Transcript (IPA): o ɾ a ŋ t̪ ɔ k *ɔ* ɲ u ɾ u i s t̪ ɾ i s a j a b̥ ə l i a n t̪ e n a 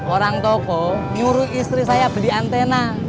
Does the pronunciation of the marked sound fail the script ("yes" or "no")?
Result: no